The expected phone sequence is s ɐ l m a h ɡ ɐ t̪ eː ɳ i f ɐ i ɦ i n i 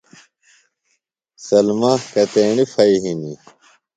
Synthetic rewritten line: s ɐ l m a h k ɐ t̪ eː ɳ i f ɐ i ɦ i n i